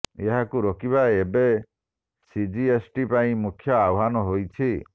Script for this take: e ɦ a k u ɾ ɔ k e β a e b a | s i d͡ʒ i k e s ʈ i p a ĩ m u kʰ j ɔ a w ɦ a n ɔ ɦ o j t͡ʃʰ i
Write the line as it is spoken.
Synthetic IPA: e ɦ a k u ɾ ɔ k i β a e b e | s i d͡ʒ i e s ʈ i p a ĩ m u kʰ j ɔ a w ɦ a n ɔ ɦ o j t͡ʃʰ i